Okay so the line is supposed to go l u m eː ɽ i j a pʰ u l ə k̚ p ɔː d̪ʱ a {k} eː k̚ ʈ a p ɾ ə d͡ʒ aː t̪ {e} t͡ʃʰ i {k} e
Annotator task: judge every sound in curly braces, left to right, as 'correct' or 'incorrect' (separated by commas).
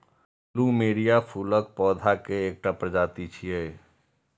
correct, incorrect, incorrect